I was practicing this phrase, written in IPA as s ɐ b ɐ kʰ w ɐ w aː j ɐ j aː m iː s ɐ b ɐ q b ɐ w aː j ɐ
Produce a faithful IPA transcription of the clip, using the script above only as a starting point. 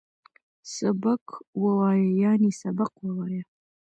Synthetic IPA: s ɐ b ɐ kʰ w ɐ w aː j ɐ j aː n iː s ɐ b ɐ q w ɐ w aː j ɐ